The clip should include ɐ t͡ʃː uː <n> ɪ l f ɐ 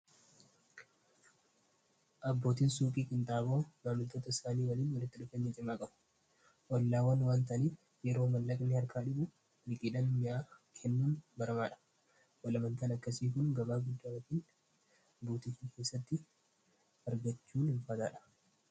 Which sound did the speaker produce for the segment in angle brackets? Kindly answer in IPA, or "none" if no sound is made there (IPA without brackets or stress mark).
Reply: n